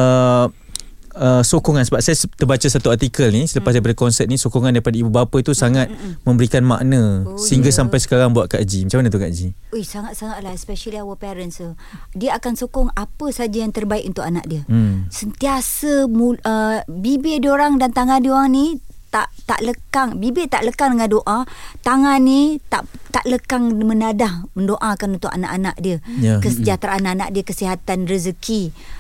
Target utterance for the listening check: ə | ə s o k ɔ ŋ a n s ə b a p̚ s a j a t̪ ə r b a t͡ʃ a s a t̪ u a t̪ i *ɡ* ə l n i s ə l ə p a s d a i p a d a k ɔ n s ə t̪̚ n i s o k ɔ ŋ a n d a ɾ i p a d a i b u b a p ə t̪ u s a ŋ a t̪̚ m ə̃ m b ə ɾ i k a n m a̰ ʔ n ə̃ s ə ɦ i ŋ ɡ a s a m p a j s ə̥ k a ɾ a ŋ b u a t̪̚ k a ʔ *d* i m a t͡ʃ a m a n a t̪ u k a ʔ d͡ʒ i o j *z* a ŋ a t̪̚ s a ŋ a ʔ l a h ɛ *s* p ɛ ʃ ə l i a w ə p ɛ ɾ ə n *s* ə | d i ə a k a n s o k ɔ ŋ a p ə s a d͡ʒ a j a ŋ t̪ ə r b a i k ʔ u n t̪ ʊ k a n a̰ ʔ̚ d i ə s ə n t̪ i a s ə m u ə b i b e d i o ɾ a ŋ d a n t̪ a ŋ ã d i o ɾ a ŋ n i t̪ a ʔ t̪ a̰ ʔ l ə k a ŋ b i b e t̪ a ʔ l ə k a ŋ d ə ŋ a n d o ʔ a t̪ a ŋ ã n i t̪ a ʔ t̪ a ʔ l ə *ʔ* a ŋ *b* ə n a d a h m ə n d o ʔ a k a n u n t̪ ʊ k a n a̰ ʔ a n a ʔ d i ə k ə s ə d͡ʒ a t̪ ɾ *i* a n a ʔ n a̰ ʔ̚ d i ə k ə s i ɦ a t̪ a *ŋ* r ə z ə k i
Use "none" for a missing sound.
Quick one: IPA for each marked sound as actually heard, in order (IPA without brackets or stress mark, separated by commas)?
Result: k, d͡ʒ, s, s, s, k, m, a, n